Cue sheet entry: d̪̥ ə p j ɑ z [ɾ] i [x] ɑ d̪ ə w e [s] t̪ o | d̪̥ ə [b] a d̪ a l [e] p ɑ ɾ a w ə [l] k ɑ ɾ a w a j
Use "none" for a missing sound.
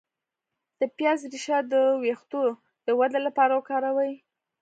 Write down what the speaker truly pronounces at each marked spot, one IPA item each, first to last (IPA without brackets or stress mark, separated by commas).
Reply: ɾ, ʃ, x, w, a, none